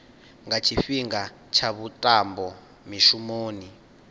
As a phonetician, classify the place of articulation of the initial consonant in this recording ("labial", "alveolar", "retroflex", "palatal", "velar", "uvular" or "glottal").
velar